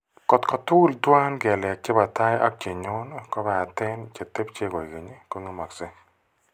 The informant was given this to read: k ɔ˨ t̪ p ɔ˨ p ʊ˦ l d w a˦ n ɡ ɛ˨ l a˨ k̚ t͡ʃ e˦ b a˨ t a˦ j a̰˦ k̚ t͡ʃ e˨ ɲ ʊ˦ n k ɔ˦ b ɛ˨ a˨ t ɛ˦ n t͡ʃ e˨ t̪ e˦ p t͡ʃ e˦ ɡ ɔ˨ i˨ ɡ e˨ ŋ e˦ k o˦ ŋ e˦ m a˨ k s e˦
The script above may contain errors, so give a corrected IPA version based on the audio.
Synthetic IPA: k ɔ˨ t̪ k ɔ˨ t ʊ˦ l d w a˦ n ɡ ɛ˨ l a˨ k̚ t͡ʃ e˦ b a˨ t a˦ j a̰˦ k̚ t͡ʃ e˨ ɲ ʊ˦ n k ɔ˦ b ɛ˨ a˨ t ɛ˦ n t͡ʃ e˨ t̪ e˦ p t͡ʃ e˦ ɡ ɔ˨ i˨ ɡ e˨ ɲ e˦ k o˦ ŋ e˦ m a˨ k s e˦